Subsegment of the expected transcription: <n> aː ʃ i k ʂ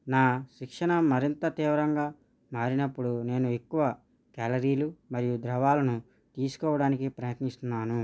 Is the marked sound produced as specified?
yes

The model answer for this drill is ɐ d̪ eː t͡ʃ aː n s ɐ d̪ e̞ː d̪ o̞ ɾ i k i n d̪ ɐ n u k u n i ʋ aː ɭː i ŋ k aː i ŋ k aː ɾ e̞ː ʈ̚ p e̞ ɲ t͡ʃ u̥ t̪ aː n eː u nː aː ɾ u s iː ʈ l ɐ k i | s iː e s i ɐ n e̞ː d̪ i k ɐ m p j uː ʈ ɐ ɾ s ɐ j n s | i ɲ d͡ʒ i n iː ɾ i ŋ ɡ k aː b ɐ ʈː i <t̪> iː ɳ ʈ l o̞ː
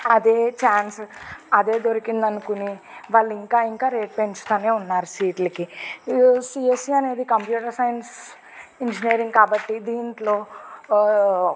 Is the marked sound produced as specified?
no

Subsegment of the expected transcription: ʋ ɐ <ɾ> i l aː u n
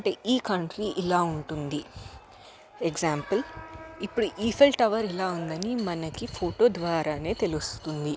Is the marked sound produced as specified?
yes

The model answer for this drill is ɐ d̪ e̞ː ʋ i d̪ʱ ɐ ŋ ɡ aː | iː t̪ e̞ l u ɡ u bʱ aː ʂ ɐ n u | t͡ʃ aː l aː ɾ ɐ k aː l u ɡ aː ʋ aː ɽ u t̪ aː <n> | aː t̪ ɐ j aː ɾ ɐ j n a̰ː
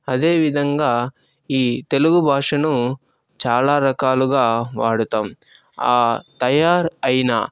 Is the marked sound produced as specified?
no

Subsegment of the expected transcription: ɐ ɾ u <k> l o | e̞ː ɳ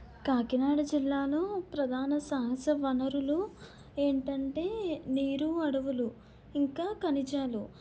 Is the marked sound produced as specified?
no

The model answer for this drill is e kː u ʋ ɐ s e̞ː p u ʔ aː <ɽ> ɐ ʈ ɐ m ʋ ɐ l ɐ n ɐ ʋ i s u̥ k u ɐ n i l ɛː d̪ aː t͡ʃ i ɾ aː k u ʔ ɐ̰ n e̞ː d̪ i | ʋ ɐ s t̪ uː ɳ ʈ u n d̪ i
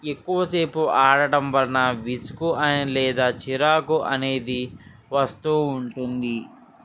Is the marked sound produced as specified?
yes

